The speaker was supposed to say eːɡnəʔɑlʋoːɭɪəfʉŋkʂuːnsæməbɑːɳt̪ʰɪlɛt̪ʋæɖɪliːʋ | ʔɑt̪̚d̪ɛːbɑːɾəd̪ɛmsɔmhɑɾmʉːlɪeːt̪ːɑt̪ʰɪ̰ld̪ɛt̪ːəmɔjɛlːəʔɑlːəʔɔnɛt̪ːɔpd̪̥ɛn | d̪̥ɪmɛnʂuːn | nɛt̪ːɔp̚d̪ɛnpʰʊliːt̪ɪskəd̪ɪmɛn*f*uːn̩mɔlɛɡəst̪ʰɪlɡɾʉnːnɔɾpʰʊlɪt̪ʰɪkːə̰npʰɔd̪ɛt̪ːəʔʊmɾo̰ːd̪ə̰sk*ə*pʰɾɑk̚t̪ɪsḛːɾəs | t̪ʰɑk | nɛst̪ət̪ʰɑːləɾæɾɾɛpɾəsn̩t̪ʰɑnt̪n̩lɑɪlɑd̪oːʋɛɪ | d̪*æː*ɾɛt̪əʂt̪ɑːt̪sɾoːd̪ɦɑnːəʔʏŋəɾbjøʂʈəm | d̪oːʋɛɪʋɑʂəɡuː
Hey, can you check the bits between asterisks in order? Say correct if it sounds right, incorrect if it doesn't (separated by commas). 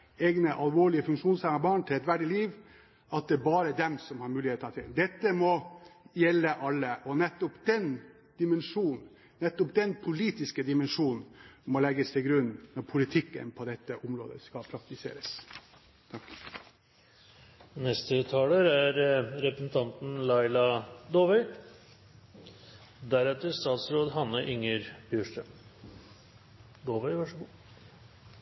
incorrect, incorrect, incorrect